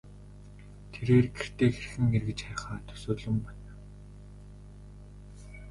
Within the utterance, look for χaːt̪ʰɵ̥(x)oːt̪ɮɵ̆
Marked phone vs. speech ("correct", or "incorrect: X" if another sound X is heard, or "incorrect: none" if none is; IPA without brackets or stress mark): incorrect: s